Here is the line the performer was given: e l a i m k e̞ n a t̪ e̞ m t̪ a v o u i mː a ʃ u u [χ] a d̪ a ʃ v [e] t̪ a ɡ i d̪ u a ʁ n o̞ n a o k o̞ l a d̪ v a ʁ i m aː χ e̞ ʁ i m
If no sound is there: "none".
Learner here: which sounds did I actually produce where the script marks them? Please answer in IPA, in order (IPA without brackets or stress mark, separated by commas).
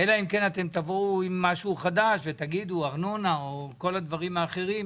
χ, e